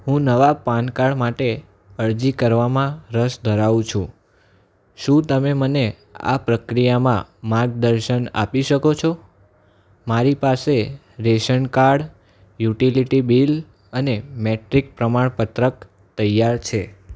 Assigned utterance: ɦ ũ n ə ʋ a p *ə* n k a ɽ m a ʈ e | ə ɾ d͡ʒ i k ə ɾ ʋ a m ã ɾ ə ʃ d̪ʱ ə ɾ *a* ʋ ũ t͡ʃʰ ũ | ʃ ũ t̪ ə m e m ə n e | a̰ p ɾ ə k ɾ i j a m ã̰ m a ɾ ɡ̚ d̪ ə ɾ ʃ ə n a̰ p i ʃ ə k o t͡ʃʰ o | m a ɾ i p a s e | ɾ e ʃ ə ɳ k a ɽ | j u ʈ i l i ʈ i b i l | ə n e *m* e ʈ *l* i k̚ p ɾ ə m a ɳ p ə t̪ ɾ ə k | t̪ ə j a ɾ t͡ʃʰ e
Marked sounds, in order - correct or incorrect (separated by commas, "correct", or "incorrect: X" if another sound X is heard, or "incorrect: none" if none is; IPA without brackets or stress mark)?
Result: incorrect: a, correct, correct, incorrect: ɾ